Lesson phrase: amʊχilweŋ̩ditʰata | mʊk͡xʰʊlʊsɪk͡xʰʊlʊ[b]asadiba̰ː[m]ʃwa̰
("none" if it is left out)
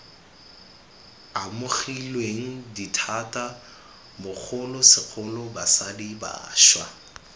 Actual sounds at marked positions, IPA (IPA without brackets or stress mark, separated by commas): b, none